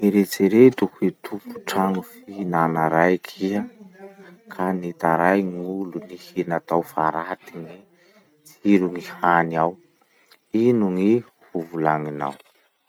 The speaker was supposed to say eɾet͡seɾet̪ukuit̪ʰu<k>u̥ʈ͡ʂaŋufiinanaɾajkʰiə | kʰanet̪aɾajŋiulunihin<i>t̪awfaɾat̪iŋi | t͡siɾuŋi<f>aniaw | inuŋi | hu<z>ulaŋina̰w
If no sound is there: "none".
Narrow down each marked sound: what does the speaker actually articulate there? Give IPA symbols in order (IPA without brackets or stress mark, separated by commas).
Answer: p, a, h, v